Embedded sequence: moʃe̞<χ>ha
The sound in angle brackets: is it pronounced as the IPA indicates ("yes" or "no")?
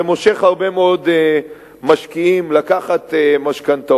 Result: yes